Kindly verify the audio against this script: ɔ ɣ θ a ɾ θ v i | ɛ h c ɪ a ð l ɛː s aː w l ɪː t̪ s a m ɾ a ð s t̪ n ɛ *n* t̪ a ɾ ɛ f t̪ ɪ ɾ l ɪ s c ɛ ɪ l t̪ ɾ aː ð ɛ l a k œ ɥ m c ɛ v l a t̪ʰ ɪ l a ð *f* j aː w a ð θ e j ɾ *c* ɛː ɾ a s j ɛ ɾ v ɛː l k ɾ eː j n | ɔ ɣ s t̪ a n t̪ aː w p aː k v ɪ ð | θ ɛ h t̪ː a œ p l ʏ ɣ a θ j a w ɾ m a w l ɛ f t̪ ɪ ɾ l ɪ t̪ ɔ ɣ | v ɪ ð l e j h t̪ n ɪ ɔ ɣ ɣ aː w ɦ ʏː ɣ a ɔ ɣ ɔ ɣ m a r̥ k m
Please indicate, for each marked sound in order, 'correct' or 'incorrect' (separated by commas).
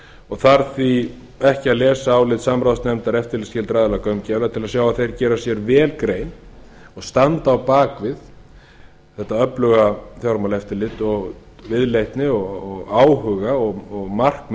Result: incorrect, incorrect, correct